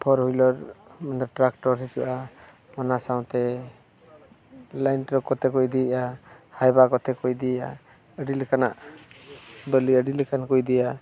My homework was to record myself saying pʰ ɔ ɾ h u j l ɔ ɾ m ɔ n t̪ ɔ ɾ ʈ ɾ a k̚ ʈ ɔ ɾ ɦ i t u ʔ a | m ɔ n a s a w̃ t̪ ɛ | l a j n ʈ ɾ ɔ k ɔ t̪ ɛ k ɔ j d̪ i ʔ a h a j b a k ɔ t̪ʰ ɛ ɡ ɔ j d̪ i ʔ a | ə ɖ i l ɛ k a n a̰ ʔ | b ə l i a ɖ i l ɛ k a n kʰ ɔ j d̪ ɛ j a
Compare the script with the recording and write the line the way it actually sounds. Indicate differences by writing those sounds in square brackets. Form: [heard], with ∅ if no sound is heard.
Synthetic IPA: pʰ ɔ ɾ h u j l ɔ ɾ m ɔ n [d̪] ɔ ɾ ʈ ɾ a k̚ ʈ ɔ ɾ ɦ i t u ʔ a | m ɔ n a s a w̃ t̪ ɛ | l a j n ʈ ɾ ɔ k ɔ t̪ ɛ k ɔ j d̪ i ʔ a h a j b a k ɔ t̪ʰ ɛ [k] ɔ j d̪ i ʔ a | ə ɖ i l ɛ k a n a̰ ʔ | b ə l i [ə] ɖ i l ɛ k a n [k] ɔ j d̪ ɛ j a